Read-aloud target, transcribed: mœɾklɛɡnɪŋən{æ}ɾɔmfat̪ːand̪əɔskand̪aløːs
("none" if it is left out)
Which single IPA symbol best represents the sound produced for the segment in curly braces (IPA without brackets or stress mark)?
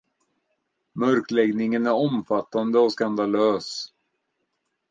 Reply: æ